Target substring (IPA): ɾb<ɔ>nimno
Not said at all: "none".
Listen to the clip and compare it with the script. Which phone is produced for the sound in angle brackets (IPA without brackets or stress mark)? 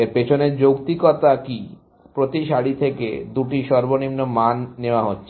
o